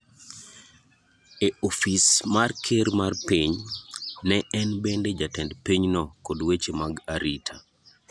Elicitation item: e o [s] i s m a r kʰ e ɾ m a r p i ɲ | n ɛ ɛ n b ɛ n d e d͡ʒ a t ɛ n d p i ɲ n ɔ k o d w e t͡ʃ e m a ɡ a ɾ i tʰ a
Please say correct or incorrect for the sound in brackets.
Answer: incorrect: f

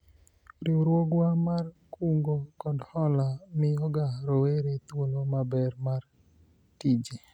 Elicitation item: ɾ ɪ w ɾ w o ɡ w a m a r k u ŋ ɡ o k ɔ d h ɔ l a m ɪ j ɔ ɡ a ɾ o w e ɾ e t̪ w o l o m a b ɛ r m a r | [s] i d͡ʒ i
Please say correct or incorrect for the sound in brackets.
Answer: incorrect: t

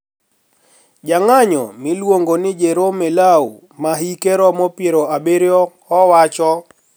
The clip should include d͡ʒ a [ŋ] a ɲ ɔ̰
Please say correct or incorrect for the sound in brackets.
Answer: correct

